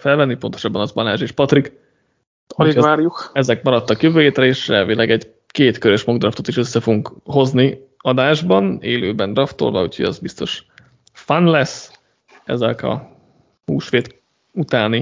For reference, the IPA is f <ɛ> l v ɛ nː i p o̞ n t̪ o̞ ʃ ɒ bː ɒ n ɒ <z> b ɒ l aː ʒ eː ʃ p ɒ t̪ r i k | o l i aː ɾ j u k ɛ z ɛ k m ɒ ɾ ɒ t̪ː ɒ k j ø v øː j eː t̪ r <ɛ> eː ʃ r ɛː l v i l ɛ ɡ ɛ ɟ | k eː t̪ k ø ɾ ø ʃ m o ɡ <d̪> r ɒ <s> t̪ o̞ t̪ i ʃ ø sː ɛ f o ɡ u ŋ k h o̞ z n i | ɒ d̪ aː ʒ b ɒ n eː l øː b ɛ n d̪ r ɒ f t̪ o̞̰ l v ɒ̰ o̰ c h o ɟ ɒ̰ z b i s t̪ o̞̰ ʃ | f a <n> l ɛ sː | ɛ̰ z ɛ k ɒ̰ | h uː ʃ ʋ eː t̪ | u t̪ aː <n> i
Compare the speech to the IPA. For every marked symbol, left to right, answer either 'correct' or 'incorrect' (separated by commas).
correct, correct, correct, correct, incorrect, correct, correct